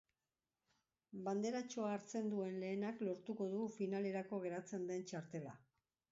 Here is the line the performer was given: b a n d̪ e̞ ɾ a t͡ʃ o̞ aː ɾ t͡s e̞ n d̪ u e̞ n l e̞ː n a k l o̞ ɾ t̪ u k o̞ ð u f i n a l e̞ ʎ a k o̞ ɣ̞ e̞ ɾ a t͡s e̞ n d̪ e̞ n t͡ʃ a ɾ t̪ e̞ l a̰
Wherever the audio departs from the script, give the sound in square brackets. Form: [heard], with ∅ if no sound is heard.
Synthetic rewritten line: b a n d̪ e̞ ɾ a t͡ʃ o̞ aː ɾ t͡s e̞ n d̪ u e̞ n l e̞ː n a k l o̞ ɾ t̪ u k o̞ ð u f i n a l e̞ [ɾ] a k o̞ ɣ̞ e̞ ɾ a t͡s e̞ n d̪ e̞ n t͡ʃ a ɾ t̪ e̞ l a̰